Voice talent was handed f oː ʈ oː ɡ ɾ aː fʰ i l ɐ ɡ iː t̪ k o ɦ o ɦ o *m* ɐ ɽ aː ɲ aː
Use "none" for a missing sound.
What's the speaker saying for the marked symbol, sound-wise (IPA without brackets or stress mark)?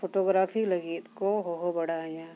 b